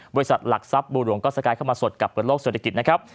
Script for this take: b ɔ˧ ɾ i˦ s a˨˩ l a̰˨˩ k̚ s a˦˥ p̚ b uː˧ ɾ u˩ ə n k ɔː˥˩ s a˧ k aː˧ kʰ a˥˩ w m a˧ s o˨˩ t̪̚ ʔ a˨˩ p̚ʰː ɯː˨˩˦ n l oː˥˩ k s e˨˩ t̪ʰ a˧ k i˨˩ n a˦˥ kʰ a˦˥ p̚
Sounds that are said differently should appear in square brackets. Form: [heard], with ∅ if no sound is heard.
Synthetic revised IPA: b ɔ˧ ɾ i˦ s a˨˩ l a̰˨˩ k̚ s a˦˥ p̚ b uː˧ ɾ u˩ ə [ŋ] k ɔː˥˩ s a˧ k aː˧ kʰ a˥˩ w m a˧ s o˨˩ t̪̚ [k] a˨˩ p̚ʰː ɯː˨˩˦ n l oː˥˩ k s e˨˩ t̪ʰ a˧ k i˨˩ n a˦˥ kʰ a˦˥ p̚

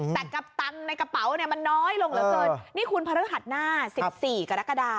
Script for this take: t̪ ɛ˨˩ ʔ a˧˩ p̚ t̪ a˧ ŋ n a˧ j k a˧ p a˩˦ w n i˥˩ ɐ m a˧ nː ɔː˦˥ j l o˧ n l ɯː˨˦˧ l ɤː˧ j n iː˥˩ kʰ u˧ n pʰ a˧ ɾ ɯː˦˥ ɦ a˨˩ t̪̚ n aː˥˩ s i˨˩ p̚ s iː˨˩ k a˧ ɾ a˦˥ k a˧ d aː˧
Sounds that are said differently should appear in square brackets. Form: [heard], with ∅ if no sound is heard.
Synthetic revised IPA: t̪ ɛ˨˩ [k] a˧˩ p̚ t̪ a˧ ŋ n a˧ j k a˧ p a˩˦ w n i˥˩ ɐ m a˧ nː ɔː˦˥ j l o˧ [ŋ] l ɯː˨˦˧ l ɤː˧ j n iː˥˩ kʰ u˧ n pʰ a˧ ɾ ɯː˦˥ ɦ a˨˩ t̪̚ n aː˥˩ s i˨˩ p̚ s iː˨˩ k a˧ ɾ a˦˥ k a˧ d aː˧

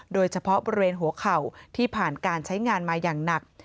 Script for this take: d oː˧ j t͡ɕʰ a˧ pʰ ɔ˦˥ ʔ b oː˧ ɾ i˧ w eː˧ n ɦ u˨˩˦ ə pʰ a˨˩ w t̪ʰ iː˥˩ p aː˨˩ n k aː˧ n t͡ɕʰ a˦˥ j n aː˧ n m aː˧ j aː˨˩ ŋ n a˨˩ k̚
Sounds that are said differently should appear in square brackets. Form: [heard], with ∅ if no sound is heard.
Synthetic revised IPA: d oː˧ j t͡ɕʰ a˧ pʰ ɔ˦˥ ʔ b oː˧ ɾ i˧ w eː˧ n ɦ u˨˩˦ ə [kʰ] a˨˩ w t̪ʰ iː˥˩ [pʰ] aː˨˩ n k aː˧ n t͡ɕʰ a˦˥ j [ŋ] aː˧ n m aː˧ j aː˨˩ ŋ n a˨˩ k̚

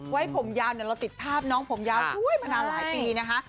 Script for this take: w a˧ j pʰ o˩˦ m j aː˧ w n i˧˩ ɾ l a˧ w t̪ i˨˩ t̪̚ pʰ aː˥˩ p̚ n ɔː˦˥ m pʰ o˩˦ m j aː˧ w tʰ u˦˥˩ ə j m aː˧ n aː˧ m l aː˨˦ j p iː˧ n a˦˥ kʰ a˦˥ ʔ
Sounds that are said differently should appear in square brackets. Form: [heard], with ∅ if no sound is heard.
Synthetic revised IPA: w [a˦˥] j pʰ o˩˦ m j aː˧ w n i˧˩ ɾ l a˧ w t̪ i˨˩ t̪̚ pʰ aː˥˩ p̚ n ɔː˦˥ [ŋ] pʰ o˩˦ m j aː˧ w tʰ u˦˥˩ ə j m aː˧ n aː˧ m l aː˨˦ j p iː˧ n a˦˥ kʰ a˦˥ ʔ

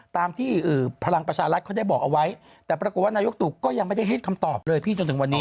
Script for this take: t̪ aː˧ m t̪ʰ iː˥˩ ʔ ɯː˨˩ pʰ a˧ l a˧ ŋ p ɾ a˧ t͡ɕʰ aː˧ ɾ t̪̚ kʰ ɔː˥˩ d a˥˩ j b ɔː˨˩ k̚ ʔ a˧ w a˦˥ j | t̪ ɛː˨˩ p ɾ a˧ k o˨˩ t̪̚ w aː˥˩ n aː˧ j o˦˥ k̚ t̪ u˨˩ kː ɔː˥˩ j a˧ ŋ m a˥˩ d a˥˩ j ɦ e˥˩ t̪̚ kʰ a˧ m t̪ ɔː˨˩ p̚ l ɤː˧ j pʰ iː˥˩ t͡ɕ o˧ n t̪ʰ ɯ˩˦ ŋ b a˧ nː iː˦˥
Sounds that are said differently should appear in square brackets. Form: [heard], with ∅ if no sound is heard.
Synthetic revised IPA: t̪ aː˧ m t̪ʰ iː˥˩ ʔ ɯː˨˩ pʰ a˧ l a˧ ŋ p ɾ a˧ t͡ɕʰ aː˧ ɾ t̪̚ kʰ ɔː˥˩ d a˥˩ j b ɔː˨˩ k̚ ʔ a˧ w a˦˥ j | t̪ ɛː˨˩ p ɾ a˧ k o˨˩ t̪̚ w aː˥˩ n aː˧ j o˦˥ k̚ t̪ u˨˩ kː ɔː˥˩ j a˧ ŋ m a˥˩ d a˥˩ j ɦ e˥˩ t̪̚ kʰ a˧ m t̪ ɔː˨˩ p̚ l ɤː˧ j pʰ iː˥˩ t͡ɕ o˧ n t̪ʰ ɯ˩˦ ŋ [w] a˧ nː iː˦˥

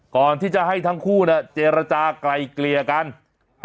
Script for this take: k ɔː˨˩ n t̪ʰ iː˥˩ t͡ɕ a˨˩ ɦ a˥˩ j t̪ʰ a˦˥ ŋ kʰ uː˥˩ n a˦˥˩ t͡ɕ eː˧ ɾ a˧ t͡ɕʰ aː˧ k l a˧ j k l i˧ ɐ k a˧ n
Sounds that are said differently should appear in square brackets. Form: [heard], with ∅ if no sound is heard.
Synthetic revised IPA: k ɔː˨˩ n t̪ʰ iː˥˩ t͡ɕ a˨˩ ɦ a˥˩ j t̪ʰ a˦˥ ŋ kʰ uː˥˩ n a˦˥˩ t͡ɕ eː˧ ɾ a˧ [t͡ɕ] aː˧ k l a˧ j k l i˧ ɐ k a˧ n

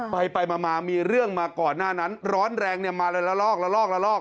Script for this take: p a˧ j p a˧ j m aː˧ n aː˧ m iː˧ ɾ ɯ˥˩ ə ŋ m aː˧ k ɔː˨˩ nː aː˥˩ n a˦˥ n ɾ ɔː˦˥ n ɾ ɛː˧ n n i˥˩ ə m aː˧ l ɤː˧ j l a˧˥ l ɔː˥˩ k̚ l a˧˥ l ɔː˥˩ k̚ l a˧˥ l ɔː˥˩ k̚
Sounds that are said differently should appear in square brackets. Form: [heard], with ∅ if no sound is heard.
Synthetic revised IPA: p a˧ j p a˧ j m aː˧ [m] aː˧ m iː˧ ɾ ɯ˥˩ ə ŋ m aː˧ k ɔː˨˩ nː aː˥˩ n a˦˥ n ɾ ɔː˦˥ n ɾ ɛː˧ [ŋ] n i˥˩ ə m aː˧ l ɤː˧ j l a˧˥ l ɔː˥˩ k̚ l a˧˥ l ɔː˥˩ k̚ l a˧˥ l ɔː˥˩ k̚

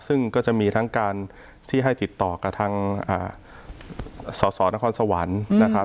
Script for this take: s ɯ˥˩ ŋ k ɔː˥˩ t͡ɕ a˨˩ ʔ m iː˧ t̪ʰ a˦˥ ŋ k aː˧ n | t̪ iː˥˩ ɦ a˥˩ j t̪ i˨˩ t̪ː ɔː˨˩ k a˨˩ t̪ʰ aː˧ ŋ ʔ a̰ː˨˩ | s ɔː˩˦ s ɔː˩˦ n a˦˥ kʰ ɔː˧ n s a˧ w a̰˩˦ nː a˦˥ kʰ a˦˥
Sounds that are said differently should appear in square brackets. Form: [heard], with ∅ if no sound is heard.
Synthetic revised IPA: s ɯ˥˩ ŋ k ɔː˥˩ t͡ɕ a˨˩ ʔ m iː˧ t̪ʰ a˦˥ ŋ k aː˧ n | [t̪ʰ] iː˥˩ ɦ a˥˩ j t̪ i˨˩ t̪ː ɔː˨˩ k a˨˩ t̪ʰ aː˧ ŋ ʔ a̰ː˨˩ | s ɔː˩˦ s ɔː˩˦ n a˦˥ kʰ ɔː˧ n s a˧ w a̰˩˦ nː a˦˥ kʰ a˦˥

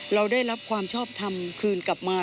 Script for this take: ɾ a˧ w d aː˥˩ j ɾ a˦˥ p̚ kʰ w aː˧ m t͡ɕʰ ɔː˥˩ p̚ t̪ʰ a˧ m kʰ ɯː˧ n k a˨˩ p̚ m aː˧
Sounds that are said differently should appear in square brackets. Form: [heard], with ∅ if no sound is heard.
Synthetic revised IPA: ɾ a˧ w d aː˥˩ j ɾ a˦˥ p̚ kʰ w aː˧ m t͡ɕʰ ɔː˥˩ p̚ t̪ʰ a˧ m kʰ ɯː˧ n k a˨˩ p̚ m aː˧

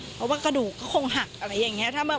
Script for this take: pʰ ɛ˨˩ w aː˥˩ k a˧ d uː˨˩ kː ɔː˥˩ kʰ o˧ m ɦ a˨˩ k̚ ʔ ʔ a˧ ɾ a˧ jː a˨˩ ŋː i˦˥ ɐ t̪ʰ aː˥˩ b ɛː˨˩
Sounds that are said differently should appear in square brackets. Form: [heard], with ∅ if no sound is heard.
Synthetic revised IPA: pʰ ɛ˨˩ w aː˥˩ k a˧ d uː˨˩ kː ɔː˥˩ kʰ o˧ [ŋ] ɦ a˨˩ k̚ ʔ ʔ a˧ ɾ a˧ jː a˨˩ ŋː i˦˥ ɐ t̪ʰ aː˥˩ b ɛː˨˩

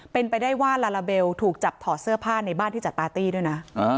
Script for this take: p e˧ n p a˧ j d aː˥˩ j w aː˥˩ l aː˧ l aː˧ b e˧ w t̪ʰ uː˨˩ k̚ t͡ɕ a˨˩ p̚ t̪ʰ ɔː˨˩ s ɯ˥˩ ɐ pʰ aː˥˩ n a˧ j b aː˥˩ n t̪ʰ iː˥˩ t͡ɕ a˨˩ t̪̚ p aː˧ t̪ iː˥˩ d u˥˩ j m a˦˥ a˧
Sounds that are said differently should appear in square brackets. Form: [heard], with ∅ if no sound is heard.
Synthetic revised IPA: p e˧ n p a˧ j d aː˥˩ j w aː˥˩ l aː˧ l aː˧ b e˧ w t̪ʰ uː˨˩ k̚ t͡ɕ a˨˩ p̚ t̪ʰ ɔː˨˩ s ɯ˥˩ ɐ pʰ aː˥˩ n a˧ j b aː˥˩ n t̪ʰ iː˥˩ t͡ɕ a˨˩ t̪̚ p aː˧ t̪ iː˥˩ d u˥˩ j [n] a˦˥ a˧

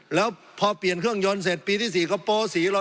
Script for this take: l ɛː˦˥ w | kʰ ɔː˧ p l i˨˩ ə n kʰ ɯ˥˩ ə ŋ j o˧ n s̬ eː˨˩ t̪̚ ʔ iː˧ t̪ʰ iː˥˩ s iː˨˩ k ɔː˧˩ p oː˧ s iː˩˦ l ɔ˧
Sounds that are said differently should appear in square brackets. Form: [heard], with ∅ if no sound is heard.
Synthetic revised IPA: l ɛː˦˥ w | [pʰ] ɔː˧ p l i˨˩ ə n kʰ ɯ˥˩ ə ŋ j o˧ n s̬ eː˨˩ t̪̚ [p] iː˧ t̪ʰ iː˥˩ s iː˨˩ k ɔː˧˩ p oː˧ s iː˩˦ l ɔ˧

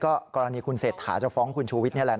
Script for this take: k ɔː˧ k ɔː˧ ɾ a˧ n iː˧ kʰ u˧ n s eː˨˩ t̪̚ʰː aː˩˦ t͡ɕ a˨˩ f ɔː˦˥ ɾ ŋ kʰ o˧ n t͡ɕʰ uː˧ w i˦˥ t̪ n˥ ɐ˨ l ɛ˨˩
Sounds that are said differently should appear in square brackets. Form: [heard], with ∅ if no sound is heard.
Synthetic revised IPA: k [ɔː˥˩] k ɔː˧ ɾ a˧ n iː˧ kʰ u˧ n s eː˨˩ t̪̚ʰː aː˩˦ t͡ɕ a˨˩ f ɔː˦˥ [∅] ŋ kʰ [u˧] n t͡ɕʰ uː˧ w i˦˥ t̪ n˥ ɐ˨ l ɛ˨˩

